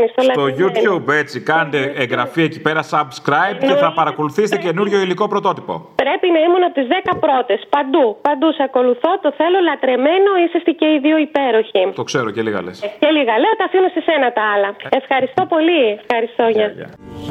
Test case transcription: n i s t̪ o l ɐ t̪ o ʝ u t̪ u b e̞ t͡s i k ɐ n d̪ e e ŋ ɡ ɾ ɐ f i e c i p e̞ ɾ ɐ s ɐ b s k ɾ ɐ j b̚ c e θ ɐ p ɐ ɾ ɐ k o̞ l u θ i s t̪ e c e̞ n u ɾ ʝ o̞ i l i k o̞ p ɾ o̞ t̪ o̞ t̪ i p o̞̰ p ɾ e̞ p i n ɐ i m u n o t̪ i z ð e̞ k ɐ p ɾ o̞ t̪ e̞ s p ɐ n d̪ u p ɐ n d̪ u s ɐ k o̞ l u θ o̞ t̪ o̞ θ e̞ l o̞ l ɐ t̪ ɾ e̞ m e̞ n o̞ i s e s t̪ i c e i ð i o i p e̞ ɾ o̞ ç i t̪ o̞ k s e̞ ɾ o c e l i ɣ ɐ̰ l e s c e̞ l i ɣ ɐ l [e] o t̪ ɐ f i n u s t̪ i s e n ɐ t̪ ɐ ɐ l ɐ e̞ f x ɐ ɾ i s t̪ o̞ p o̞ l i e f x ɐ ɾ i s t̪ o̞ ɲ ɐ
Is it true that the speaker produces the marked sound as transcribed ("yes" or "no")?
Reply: yes